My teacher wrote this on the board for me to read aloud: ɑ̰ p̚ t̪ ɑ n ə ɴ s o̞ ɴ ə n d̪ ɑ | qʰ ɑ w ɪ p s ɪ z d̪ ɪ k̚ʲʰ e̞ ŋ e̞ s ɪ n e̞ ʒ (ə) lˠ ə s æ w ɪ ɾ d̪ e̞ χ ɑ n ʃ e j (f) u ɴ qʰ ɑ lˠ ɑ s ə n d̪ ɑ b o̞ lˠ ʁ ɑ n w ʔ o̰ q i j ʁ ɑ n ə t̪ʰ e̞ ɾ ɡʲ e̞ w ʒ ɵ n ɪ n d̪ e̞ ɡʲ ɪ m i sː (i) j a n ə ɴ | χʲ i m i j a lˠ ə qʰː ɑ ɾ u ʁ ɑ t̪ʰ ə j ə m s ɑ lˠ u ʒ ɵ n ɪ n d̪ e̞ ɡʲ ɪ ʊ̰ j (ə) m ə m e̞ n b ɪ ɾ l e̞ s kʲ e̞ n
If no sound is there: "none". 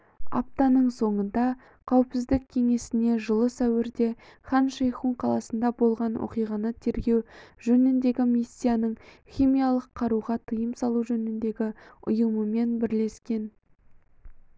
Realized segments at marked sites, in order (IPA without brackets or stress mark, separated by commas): ə, χ, i, ə